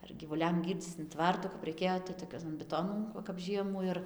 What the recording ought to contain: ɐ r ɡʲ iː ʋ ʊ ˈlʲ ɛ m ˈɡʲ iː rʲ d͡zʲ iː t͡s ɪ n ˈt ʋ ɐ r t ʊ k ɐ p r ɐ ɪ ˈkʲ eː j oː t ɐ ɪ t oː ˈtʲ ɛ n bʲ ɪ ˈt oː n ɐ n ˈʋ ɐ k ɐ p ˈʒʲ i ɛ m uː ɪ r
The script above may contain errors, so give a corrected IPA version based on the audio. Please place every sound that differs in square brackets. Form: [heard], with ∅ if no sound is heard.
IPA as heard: ɐ r ɡʲ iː ʋ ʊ ˈlʲ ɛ m ˈɡʲ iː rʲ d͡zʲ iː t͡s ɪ n ˈt ʋ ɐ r t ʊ k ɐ p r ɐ ɪ ˈkʲ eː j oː t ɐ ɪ t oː [ˈkʲ] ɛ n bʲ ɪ ˈt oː n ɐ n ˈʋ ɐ k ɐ p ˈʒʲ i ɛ m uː ɪ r